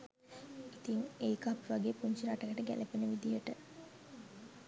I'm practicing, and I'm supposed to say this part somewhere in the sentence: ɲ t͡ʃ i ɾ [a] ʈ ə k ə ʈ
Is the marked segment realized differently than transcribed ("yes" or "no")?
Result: no